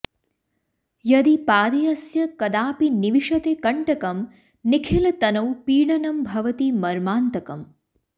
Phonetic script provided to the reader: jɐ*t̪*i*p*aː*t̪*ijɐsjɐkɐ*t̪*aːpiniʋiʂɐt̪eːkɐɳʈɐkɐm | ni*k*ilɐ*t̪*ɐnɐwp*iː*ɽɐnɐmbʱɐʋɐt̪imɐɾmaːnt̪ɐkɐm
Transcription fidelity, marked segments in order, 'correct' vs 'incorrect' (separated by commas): incorrect, correct, incorrect, incorrect, incorrect, correct, correct